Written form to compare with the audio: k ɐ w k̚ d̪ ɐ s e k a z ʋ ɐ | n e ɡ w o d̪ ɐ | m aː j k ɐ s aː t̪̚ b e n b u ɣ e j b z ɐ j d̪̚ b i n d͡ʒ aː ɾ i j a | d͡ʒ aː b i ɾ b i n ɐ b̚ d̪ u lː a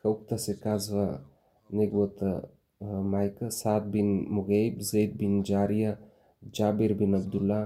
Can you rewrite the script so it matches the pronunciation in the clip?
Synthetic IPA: k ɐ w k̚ t̪ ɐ s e k a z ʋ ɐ | n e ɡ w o t̪ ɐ | m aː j k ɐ s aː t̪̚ b i n m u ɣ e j b z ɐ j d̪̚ b i n d͡ʒ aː ɾ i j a | d͡ʒ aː b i ɾ b i n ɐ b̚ d̪ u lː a